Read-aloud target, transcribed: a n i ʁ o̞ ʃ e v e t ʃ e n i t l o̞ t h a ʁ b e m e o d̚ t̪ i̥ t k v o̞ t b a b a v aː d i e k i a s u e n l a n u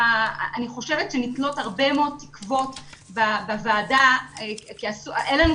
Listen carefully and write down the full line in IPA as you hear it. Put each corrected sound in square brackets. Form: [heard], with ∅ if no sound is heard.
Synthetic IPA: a n i [χ] o̞ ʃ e v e t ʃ e n i t l o̞ t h a ʁ b e m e o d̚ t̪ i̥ [∅] k v o̞ t b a b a v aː d [a] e k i a s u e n l a n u